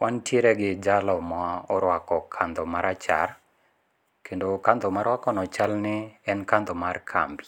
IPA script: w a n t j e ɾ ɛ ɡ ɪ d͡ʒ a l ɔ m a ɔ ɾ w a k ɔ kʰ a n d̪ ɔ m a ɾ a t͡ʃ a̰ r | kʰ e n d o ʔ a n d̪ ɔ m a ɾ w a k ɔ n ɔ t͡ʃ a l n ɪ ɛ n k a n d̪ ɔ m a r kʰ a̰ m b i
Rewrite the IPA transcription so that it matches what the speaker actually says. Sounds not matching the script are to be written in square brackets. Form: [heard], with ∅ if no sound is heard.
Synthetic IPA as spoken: w a n t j e ɾ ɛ ɡ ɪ d͡ʒ a l ɔ m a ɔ ɾ w a k ɔ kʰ a n d̪ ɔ m a ɾ a t͡ʃ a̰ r | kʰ e n d o [k] a n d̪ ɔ m a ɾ w a k ɔ n ɔ t͡ʃ a l n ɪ ɛ n k a n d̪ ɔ m a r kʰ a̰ m b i

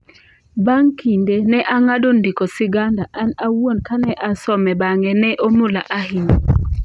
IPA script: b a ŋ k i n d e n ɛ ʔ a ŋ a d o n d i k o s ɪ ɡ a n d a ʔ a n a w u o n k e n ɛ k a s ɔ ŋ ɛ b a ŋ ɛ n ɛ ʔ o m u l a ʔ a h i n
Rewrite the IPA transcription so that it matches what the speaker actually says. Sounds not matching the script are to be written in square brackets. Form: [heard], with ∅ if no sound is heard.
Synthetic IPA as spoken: b a ŋ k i n d e n ɛ ʔ a ŋ a d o n d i k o s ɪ ɡ a n d a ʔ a n a w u o n k [a] n ɛ [ʔ] a s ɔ [m] ɛ b a ŋ ɛ n ɛ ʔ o m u l a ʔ a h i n

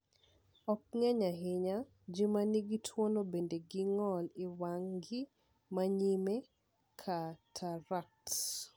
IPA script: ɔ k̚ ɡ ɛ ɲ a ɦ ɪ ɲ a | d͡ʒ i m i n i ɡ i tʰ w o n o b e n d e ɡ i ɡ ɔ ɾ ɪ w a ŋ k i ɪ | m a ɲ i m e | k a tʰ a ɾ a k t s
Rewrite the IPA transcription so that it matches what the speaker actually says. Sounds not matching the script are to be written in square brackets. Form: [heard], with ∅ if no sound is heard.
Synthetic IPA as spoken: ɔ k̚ [ŋ] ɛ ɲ a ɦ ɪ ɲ a | d͡ʒ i m [a] n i ɡ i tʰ w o n o b e n d e ɡ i [ŋ] ɔ [l] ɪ w a ŋ [ɡ] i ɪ | m a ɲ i m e | [kʰ] a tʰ a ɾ a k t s

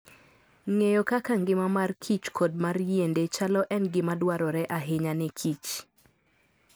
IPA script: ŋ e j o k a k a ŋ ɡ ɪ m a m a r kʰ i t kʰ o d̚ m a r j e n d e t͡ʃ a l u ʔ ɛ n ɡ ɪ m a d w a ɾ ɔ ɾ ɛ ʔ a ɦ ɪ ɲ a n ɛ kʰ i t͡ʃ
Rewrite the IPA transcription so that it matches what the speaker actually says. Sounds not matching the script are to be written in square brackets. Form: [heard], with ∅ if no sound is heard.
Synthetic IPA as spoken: ŋ e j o k a k a ŋ ɡ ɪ m a m a r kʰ i [t͡ʃ] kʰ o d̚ m a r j e n d e t͡ʃ a l [ɔ] ʔ ɛ n ɡ ɪ m a d w a ɾ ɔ ɾ ɛ ʔ a ɦ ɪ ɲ a n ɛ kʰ i t͡ʃ

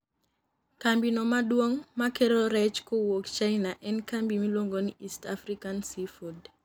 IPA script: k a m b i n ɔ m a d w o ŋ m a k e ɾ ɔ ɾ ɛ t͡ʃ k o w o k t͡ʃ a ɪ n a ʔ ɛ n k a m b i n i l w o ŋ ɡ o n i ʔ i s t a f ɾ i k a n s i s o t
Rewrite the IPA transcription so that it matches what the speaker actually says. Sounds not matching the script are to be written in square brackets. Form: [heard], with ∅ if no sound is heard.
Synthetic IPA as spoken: k a m b i n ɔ m a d w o ŋ m a k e ɾ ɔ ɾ ɛ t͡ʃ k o w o k t͡ʃ a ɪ n a ʔ ɛ n k a m b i [m] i l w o ŋ ɡ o n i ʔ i s t a f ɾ i k a n s i [f] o [d]

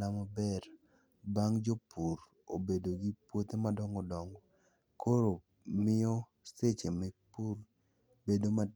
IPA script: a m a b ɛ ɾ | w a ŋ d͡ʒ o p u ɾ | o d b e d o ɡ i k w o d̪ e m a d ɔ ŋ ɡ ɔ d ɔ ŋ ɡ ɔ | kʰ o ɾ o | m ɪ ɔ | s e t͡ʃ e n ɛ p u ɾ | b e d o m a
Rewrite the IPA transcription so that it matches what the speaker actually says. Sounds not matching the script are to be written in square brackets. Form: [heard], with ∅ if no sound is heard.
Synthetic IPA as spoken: a m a b ɛ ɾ | [b] a ŋ d͡ʒ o p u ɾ | o [∅] b e d o ɡ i [p] w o [t̪] e m a d ɔ ŋ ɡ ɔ d ɔ ŋ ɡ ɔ | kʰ o ɾ o | m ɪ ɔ | s e t͡ʃ e [m] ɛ p u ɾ | b e d o m a

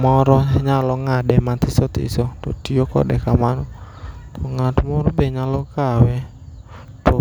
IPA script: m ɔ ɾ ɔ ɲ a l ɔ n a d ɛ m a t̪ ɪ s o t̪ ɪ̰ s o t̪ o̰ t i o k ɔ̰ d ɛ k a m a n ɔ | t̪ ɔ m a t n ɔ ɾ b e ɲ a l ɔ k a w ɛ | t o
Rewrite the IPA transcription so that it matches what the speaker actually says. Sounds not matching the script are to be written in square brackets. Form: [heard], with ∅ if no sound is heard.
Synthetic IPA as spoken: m ɔ ɾ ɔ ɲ a l ɔ [ŋ] a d ɛ m a t̪ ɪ s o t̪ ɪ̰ s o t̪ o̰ t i o k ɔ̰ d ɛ k a m a n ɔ | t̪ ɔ [ŋ] a t [m] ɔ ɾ b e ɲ a l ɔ k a w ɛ | t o

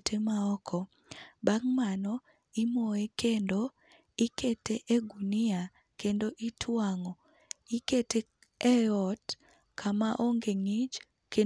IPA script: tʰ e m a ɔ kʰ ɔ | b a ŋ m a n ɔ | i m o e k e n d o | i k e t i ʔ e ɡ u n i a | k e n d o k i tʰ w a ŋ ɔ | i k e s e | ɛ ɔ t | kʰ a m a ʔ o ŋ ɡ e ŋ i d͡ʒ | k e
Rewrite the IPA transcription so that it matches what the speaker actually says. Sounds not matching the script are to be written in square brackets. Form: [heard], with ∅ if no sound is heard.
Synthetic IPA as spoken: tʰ e m a ɔ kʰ ɔ | b a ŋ m a n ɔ | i m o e k e n d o | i k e t [e] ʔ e ɡ u n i a | k e n d o [ʔ] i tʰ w a ŋ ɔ | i k e [t] e | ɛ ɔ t | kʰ a m a ʔ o ŋ ɡ e ŋ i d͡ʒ | k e

